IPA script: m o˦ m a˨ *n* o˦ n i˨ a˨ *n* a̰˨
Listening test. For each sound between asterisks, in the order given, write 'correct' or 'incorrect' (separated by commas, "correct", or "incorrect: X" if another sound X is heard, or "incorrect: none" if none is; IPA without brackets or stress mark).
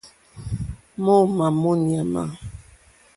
incorrect: m, incorrect: m